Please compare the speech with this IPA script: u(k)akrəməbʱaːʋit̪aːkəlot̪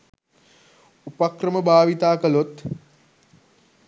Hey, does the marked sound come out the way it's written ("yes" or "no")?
no